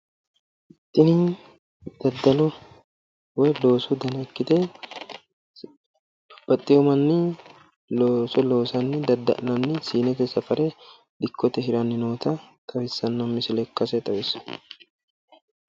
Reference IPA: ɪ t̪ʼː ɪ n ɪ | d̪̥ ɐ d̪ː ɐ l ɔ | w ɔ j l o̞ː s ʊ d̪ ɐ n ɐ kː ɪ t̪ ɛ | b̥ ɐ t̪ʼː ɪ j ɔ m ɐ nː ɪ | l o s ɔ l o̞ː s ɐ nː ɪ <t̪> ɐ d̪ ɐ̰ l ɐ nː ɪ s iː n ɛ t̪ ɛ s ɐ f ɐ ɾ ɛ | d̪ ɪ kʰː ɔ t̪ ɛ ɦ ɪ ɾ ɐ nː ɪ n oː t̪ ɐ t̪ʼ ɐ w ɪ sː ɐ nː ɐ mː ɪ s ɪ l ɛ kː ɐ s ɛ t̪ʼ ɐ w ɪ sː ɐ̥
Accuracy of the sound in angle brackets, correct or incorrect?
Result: incorrect